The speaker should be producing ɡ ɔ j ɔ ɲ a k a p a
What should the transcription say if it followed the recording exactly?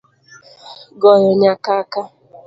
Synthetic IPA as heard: ɡ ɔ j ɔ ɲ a k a k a